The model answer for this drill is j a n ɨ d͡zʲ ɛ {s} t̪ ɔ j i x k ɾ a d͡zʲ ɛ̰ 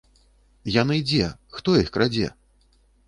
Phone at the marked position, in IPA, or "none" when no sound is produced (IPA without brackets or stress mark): x